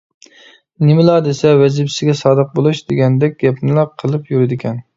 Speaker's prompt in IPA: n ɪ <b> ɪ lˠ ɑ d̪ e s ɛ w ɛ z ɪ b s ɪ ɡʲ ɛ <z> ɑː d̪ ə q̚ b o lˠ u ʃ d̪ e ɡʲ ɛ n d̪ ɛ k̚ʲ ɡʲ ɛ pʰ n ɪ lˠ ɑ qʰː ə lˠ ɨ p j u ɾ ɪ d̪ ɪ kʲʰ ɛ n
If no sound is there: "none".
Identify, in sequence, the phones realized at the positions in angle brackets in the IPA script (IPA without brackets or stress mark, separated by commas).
m, s